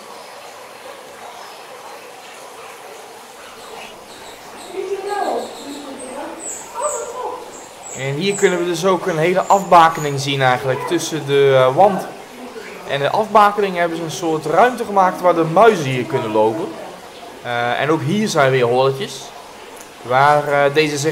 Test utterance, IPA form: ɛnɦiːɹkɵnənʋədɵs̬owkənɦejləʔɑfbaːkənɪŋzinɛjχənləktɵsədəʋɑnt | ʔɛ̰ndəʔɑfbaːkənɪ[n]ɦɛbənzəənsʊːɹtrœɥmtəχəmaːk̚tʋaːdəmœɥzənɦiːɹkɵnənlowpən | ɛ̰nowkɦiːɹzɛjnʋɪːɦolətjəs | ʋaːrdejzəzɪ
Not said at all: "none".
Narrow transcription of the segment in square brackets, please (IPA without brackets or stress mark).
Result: ŋ